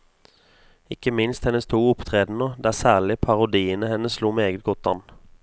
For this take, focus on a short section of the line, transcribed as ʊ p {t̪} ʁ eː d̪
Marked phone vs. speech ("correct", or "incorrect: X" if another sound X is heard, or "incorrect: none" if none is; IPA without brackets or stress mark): incorrect: t̪ʰ